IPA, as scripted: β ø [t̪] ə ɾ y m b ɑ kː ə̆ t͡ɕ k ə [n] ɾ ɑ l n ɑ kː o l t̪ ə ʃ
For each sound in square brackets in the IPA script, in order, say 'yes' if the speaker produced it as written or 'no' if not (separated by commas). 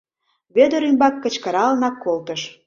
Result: no, no